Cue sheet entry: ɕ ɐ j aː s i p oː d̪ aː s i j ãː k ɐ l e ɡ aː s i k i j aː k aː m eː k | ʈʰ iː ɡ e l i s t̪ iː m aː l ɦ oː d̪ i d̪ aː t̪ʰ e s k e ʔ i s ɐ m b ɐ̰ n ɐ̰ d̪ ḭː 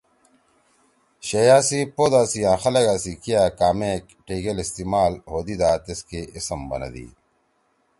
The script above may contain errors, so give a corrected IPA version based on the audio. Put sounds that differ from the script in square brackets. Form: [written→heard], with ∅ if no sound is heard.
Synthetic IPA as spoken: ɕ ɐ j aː s i p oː d̪ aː s i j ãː [k→x] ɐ l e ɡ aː s i k i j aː k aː m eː k | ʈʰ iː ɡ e l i s t̪ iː m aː l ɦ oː d̪ i d̪ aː [t̪ʰ→t̪] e s k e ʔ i s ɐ m b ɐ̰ n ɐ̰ d̪ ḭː